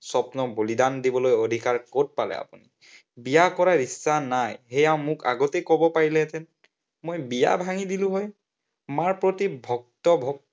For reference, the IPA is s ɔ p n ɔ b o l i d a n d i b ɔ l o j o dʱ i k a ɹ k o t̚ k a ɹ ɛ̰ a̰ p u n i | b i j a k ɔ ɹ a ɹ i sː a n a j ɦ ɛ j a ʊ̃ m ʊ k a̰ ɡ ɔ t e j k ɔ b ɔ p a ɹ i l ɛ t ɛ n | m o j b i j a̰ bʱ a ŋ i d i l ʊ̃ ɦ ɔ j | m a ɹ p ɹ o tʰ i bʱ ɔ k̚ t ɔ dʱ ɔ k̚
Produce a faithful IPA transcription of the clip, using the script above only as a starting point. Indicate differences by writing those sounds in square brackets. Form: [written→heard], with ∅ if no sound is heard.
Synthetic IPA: s ɔ p n ɔ b o l i d a n d i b ɔ l o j o dʱ i k a ɹ k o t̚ [k→p] a [ɹ→l] ɛ̰ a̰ p u n i | b i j a k ɔ ɹ a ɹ i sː a n a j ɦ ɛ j a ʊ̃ m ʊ k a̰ ɡ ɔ t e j k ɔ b ɔ p a ɹ i l ɛ t ɛ n | m o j b i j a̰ bʱ a ŋ i d i l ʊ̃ ɦ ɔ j | m a ɹ p ɹ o [tʰ→t] i bʱ ɔ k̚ t ɔ [dʱ→bʱ] ɔ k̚

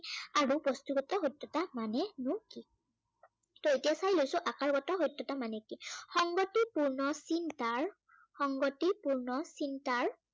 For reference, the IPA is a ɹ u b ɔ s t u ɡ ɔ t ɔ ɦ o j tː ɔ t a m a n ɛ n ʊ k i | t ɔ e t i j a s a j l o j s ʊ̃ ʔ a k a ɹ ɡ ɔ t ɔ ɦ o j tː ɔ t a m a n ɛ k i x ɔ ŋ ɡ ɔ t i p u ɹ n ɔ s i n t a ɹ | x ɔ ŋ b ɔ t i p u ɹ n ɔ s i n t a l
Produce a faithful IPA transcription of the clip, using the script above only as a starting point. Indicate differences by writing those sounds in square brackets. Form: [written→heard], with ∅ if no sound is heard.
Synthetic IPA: a ɹ u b ɔ s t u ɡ ɔ t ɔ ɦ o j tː ɔ t a m a n ɛ n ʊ k i | t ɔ e t i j a s a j l o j s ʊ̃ ʔ a k a ɹ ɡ ɔ t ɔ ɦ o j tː ɔ t a m a n ɛ k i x ɔ ŋ ɡ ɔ t i p u ɹ n ɔ s i n t a ɹ | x ɔ ŋ [b→ɡ] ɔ t i p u ɹ n ɔ s i n t a [l→ɹ]

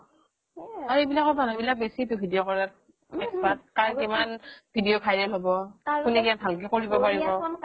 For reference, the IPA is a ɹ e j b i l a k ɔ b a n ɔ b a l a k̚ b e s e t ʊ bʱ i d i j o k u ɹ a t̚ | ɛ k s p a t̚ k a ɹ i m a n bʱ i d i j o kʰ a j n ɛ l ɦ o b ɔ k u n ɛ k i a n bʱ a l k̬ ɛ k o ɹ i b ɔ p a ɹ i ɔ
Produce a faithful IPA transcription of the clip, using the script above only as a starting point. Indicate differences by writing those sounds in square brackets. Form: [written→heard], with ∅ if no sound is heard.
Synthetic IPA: a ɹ e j b i l a k ɔ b a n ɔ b [a→i] l a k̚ b e s [e→i] t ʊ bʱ i d i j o k [u→ɔ] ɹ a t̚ | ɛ k s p a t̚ k a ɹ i m a n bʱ i d i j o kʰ a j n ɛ l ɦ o b ɔ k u n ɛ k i a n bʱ a l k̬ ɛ k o ɹ i b ɔ p a ɹ i ɔ

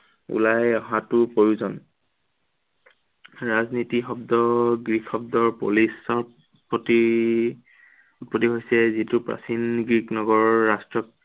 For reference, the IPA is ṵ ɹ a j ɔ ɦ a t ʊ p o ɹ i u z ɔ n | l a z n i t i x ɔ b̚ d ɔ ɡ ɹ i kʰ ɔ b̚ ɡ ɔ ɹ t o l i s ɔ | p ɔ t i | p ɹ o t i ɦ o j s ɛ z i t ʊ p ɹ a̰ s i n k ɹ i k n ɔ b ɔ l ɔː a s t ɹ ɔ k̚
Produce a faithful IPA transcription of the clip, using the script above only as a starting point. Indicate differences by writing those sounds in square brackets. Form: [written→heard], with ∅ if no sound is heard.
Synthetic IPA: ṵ [ɹ→l] a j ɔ ɦ a t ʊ p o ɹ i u z ɔ n | [l→ɹ] a z n i t i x ɔ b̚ d ɔ ɡ ɹ i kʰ ɔ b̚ [ɡ→d] ɔ ɹ [t→p] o l i s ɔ | p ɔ t i | p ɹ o t i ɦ o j s ɛ z i t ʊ p ɹ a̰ s i n [k→ɡ] ɹ i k n ɔ [b→ɡ] ɔ [l→ɹ] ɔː a s t ɹ ɔ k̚

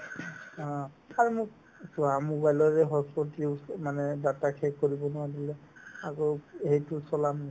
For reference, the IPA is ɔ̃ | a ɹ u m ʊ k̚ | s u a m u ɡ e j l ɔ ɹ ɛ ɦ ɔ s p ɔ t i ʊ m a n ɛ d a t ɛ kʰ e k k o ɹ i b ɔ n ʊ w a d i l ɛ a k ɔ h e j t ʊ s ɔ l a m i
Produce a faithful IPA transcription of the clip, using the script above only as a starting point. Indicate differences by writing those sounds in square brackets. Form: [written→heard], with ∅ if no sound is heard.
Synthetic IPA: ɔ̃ | a ɹ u m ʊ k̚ | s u a m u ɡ [e→a] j l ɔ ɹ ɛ ɦ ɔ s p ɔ t i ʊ m a n ɛ d a t [ɛ→a] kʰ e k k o ɹ i b ɔ n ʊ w a d i l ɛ a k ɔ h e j t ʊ s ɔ l a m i

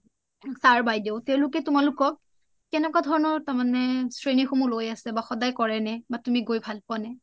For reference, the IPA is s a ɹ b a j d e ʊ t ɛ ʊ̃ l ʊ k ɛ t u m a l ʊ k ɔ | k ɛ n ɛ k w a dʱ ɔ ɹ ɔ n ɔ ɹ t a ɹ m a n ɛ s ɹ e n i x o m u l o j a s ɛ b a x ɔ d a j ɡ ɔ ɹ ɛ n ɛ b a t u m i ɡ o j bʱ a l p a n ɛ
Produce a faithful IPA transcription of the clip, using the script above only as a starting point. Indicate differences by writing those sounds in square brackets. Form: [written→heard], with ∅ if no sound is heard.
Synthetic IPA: s a ɹ b a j d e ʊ t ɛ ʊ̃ l ʊ k ɛ t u m a l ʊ k ɔ | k ɛ n ɛ k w a dʱ ɔ ɹ ɔ n ɔ ɹ t a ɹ m a n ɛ s ɹ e n i x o m u l o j a s ɛ b a x ɔ d a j [ɡ→k] ɔ ɹ ɛ n ɛ b a t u m i ɡ o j bʱ a l p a n ɛ

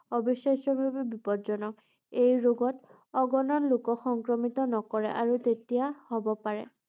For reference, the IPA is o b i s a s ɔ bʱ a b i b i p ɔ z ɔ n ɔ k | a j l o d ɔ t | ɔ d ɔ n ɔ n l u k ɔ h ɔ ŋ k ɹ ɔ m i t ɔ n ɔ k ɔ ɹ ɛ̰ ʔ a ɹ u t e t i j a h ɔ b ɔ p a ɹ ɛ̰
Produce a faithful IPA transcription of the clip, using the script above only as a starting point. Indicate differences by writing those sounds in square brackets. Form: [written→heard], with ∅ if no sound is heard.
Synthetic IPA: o b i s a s ɔ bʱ a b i b i p ɔ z ɔ n ɔ k | [a→e] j [l→ɹ] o [d→ɡ] ɔ t | ɔ [d→ɡ] ɔ n ɔ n l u k ɔ [h→x] ɔ ŋ k ɹ ɔ m i t ɔ n ɔ k ɔ ɹ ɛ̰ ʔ a ɹ u t e t i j a h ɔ b ɔ p a ɹ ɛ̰

